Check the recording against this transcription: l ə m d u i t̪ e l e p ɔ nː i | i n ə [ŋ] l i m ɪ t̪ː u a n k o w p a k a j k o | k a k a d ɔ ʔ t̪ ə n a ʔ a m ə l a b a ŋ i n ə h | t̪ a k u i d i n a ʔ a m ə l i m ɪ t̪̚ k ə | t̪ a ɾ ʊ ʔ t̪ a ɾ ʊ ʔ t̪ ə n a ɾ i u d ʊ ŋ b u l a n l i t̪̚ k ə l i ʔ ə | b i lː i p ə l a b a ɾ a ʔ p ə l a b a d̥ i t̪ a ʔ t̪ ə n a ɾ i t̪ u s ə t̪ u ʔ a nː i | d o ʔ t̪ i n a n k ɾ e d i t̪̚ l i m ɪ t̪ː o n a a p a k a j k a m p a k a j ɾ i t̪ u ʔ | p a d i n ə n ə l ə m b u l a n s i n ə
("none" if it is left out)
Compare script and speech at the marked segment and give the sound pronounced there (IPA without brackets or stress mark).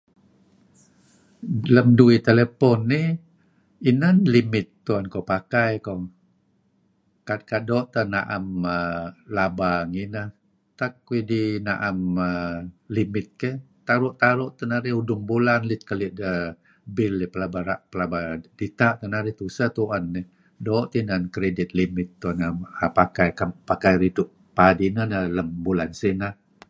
n